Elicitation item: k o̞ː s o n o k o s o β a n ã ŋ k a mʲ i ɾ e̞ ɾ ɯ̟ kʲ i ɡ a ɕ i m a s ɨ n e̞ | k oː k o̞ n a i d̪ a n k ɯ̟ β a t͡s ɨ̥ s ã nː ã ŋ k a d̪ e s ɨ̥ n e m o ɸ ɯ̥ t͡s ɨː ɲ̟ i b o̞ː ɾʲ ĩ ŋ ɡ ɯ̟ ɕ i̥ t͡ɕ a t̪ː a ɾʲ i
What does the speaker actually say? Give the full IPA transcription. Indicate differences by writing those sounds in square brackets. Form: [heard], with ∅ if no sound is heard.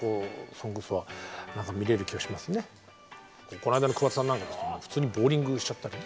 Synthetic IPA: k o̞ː s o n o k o s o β a n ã ŋ k a mʲ i ɾ e̞ ɾ ɯ̟ kʲ i ɡ a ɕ i m a s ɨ n e̞ | k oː k o̞ n a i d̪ a n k ɯ̟ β a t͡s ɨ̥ s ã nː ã ŋ k a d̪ e s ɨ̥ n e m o ɸ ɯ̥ t͡s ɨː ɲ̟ i b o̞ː ɾʲ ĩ ŋ ɡ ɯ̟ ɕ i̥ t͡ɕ a t̪ː a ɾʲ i

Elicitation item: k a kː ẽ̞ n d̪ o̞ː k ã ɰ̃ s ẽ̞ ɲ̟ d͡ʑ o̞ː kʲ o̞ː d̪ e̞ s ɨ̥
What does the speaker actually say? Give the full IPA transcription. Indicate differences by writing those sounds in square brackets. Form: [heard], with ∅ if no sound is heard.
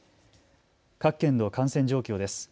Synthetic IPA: k a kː ẽ̞ n d̪ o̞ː k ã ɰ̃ s ẽ̞ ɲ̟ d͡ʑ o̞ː kʲ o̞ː d̪ e̞ s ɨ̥

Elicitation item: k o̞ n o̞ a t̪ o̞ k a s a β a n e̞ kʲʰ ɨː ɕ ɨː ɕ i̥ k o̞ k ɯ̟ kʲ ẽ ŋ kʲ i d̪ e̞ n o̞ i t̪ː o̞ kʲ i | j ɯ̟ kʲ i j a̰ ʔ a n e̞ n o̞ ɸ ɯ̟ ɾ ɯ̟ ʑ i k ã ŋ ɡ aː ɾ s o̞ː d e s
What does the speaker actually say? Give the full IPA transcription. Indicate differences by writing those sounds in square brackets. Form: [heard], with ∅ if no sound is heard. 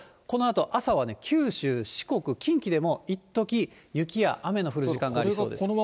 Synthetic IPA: k o̞ n o̞ a t̪ o̞ [ʔ] a s a β a n e̞ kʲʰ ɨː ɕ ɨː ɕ i̥ k o̞ k ɯ̟ kʲ [ĩ] ŋ kʲ i d̪ e̞ [m] o̞ i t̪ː o̞ kʲ i | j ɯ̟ kʲ i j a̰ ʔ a [m] e̞ n o̞ ɸ ɯ̟ ɾ ɯ̟ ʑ i k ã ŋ ɡ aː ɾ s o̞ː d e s

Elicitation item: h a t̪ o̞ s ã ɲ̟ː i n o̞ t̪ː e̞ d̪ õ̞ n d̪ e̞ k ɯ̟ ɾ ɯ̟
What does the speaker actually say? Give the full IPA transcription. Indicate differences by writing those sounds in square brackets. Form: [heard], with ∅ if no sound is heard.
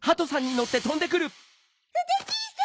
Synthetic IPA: h a t̪ o̞ s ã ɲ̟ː i n o̞ t̪ː e̞ [t̪] õ̞ n d̪ e̞ k ɯ̟ ɾ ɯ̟

